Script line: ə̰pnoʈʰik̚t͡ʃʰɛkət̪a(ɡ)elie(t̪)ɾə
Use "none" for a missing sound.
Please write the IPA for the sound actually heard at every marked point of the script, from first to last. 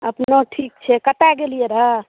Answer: ɡ, none

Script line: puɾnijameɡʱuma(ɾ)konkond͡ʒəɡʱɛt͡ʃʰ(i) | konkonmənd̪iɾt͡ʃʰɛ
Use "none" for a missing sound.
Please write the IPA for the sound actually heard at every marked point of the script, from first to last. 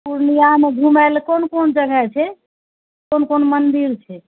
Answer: l, ɛ

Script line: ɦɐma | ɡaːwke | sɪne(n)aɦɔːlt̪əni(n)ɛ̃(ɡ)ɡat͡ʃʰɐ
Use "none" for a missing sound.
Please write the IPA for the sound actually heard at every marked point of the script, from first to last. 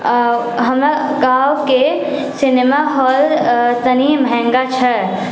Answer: m, m, ŋ

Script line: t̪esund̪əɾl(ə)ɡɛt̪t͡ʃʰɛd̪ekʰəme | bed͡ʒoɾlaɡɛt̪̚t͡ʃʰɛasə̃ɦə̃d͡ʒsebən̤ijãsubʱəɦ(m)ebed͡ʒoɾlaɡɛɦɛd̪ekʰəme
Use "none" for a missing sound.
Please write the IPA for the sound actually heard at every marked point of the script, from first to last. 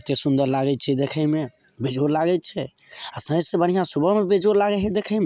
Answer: a, m

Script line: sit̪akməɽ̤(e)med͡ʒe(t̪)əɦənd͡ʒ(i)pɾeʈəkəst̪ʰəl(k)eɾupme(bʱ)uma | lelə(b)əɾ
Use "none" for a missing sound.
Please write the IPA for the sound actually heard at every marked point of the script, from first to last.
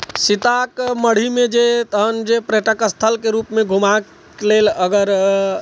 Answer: i, t̪, e, k, ɡʱ, ɡ

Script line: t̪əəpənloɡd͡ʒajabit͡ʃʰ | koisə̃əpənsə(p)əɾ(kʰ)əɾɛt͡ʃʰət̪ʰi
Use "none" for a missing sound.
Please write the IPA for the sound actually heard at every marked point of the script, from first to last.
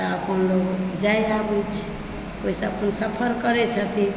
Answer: pʰ, k

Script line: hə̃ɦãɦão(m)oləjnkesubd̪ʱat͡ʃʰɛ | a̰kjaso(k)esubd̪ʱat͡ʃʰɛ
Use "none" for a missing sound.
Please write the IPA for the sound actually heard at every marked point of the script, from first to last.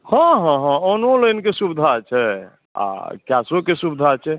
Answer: n, k

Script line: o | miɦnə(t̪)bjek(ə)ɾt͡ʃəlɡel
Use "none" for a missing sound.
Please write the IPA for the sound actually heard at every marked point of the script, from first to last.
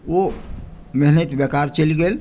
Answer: t̪, a

